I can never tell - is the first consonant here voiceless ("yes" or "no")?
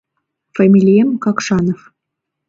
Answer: yes